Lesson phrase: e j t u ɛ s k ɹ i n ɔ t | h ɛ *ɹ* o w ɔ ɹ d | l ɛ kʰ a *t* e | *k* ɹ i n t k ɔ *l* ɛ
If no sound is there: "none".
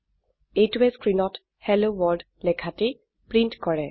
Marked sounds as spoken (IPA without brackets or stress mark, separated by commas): l, t, p, ɹ